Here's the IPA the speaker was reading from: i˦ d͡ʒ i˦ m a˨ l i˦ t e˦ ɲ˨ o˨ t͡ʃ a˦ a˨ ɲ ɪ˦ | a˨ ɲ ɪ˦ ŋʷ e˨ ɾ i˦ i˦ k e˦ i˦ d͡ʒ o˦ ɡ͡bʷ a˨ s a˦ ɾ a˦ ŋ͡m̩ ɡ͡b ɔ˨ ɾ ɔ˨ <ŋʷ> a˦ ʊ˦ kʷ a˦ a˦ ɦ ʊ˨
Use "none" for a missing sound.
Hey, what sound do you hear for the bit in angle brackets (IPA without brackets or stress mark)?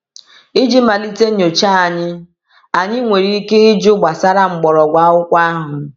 ɡʷ